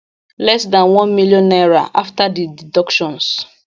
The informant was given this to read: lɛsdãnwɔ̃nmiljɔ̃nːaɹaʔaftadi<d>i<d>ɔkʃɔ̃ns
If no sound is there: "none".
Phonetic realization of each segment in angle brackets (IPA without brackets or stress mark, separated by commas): d, d